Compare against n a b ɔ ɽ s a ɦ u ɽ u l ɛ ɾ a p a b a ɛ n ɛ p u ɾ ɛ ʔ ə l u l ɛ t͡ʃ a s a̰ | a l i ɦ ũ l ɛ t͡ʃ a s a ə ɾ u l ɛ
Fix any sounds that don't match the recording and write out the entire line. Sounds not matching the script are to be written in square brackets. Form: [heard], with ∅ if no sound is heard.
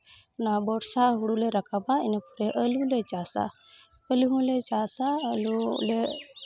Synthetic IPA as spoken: n a b ɔ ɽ s a ɦ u ɽ u l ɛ ɾ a [k] a b a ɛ n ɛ p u ɾ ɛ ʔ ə l u l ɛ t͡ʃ a s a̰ | [ə] l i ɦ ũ l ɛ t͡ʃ a s a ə [l] u l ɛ

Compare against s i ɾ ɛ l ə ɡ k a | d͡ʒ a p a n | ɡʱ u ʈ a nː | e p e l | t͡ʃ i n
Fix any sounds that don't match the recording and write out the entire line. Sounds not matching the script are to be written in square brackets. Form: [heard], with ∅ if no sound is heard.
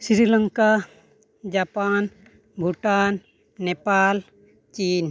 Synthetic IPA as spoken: s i ɾ [i] l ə [ŋ] k a | d͡ʒ a p a n | [bʱ] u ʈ a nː | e p [a] l | t͡ʃ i n

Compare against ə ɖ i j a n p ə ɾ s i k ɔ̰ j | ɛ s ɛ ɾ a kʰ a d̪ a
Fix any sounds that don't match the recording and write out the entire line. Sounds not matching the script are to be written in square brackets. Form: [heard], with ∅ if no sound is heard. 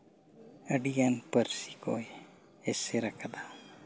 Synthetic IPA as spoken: ə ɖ i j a n p ə ɾ s i k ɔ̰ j | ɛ s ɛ ɾ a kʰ a d̪ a

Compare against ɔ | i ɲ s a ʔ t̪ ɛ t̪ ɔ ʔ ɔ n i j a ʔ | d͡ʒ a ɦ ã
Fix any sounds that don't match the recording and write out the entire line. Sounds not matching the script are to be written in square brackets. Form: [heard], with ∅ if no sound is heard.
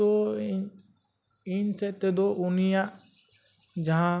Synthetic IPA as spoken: ɔ | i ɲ s [ɛ] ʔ t̪ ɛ [d̪] ɔ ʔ [u] n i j a ʔ | d͡ʒ a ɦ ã

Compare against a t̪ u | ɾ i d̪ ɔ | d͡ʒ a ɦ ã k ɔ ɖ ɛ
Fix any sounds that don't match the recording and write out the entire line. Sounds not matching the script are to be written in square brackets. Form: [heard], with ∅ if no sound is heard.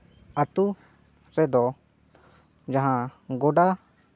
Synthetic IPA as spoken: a t̪ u | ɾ [ɛ] d̪ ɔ | d͡ʒ a ɦ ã [ɡ] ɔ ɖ [a]

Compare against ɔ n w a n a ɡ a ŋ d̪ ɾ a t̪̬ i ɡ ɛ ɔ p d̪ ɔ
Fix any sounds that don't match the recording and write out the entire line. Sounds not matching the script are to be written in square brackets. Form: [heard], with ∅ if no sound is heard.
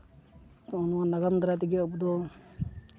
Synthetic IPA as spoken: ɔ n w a n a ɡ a [m] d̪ ɾ a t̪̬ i ɡ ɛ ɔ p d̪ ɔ

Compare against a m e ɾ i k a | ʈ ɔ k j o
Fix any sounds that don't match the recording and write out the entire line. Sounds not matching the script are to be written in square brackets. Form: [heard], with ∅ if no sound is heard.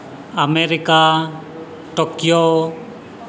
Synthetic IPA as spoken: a m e ɾ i k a | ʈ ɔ k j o

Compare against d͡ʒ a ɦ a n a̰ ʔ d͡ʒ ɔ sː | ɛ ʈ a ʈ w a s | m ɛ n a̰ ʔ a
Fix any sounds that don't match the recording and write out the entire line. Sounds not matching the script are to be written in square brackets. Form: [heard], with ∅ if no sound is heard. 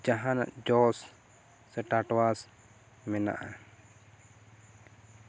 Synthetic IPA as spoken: d͡ʒ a ɦ a n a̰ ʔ d͡ʒ ɔ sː | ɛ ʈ a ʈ w a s | m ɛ n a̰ ʔ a

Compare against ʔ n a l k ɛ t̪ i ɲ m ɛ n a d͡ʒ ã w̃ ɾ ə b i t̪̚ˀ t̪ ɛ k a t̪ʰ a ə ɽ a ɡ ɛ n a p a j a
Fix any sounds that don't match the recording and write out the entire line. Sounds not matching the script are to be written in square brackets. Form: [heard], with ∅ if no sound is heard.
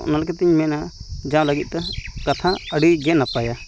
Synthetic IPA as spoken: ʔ n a l k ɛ t̪ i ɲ m ɛ n a d͡ʒ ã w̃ [l] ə [ɡ] i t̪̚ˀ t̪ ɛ k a t̪ʰ a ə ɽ [i] ɡ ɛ n a p a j a

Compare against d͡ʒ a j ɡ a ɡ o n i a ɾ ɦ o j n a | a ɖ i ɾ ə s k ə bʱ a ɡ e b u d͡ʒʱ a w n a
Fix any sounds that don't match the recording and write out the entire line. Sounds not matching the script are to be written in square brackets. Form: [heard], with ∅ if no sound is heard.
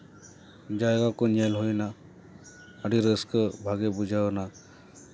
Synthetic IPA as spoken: d͡ʒ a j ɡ a [k] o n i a [l] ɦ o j n a | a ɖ i ɾ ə s k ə bʱ a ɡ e b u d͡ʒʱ a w n a

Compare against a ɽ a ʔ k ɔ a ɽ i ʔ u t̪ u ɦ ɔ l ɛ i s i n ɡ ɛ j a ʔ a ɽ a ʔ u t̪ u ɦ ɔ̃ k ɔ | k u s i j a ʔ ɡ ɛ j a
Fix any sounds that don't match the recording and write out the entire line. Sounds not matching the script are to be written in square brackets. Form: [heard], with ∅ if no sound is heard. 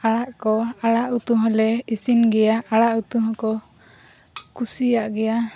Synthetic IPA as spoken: a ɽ a ʔ k ɔ a ɽ [a] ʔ u t̪ u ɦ ɔ l ɛ i s i n ɡ ɛ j a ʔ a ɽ a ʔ u t̪ u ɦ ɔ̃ k ɔ | k u s i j a ʔ ɡ ɛ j a

